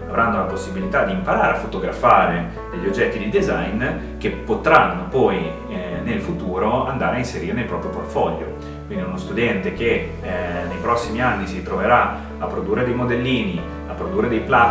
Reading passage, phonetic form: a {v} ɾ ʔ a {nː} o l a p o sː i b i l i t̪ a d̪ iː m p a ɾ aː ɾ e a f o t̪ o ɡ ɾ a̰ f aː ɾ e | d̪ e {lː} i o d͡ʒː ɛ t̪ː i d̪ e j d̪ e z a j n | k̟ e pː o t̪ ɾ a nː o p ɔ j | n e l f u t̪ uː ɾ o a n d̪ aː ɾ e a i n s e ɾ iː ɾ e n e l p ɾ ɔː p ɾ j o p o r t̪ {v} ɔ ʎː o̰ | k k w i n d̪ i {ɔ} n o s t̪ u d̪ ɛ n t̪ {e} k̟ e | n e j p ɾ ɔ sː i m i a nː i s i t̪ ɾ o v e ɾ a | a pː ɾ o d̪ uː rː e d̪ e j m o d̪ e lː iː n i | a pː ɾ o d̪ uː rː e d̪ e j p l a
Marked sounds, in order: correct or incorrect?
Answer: correct, correct, incorrect, incorrect, incorrect, correct

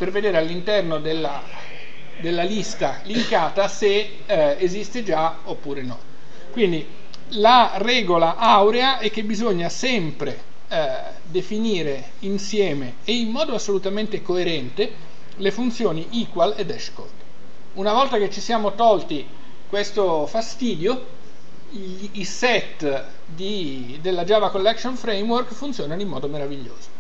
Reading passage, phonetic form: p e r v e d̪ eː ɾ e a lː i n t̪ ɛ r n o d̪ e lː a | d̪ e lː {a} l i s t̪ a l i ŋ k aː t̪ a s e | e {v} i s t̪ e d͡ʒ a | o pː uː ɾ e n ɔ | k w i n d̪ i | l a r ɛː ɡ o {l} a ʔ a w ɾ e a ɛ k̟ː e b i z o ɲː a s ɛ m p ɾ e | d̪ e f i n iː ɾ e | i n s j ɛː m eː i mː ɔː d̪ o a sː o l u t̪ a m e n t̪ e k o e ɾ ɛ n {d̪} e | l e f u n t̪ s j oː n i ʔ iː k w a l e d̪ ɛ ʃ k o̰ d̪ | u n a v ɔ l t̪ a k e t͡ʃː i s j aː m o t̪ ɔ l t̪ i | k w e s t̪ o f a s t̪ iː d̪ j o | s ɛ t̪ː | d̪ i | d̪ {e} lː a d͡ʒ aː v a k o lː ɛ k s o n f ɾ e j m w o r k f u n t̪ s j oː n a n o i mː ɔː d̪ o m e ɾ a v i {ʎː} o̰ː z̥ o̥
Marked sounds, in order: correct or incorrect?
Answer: correct, incorrect, correct, incorrect, correct, correct

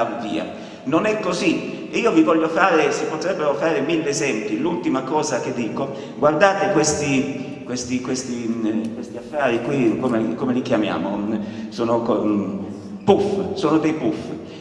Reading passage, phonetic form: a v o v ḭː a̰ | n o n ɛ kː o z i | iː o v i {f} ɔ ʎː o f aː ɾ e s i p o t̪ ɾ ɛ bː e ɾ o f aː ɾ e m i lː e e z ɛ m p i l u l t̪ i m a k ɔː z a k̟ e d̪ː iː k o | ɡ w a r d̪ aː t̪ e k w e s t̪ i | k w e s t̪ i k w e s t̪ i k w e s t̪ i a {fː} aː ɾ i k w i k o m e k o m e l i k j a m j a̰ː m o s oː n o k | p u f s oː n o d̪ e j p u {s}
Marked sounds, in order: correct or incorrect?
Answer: incorrect, correct, incorrect

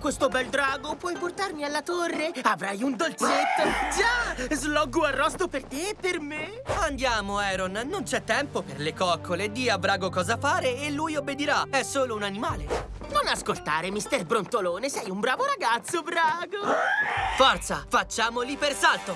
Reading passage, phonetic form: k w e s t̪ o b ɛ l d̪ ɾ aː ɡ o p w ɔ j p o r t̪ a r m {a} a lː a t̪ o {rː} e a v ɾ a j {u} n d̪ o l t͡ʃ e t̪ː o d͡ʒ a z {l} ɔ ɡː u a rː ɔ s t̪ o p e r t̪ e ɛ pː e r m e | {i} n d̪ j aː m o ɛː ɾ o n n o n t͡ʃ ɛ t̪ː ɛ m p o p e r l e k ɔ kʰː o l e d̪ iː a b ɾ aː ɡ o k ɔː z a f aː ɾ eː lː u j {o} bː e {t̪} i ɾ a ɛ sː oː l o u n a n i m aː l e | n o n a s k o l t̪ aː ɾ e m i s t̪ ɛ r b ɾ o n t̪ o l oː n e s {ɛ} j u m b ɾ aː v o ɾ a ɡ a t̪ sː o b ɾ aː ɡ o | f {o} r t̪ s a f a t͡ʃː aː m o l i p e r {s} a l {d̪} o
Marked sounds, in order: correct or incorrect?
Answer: incorrect, correct, correct, correct, incorrect, correct, incorrect, correct, incorrect, correct, incorrect

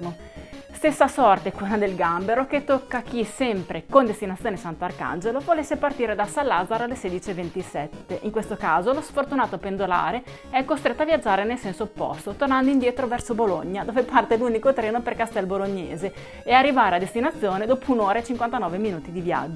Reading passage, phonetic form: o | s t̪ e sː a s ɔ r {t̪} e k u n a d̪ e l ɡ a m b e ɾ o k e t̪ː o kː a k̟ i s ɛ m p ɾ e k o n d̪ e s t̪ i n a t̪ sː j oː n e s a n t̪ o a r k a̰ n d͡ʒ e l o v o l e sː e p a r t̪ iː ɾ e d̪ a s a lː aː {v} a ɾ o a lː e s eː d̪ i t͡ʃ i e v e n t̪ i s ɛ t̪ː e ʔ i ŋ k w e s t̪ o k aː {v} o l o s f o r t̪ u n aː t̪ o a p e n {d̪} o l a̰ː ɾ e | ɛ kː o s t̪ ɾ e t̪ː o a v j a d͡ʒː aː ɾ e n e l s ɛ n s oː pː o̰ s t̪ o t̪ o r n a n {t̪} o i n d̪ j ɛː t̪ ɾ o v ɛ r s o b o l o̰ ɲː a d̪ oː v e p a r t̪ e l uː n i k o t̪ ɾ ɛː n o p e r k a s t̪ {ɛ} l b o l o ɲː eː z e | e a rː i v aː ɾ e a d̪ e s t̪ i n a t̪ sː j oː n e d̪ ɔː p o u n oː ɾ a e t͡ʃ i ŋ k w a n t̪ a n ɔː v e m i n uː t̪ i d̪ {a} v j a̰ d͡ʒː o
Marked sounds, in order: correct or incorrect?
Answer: correct, incorrect, incorrect, correct, incorrect, correct, incorrect

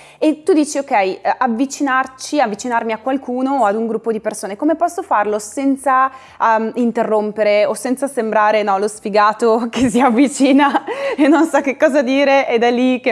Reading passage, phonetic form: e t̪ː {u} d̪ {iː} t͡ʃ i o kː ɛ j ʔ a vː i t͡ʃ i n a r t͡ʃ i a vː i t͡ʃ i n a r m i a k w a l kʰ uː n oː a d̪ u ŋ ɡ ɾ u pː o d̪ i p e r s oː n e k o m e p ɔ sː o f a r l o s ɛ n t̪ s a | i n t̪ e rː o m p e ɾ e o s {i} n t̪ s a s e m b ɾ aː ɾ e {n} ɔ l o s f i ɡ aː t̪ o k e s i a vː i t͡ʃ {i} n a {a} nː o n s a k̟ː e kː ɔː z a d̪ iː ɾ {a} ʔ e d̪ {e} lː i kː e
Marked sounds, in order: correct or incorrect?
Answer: correct, correct, incorrect, correct, incorrect, incorrect, incorrect, incorrect

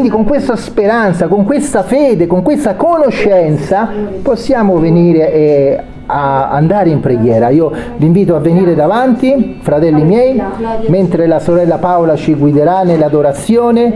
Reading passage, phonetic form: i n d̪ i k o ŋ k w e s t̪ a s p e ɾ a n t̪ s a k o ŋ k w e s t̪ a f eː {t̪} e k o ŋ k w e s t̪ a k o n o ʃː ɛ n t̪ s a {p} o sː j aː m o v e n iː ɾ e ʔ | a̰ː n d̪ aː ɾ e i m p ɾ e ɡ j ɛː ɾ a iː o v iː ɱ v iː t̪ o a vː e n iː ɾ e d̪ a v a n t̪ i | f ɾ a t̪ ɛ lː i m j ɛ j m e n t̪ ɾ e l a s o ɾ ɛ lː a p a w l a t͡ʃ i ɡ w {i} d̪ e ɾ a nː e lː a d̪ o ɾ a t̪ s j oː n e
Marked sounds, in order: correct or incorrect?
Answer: incorrect, correct, correct

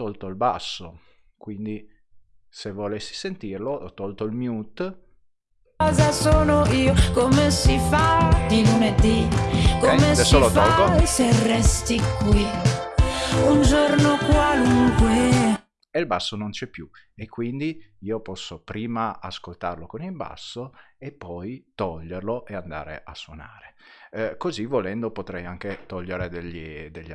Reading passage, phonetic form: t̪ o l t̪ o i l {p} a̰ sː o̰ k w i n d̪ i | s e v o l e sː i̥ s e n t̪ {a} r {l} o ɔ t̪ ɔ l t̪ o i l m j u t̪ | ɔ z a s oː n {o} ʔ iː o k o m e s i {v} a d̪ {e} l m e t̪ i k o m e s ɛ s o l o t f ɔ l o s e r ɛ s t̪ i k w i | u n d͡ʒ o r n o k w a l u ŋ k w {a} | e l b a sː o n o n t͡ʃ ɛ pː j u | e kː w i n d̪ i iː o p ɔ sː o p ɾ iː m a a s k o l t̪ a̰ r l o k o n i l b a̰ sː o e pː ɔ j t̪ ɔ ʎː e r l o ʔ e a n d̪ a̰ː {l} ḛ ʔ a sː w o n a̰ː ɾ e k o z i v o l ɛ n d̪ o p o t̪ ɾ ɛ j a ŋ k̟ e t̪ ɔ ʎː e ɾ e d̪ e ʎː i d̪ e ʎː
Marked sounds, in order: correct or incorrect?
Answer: incorrect, incorrect, correct, correct, incorrect, incorrect, incorrect, incorrect

